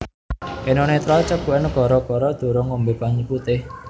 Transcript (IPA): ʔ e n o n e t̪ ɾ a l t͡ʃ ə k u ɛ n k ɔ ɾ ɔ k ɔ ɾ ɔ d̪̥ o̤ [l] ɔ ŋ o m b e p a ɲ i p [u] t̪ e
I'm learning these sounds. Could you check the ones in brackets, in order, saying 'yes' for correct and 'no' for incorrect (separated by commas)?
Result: no, yes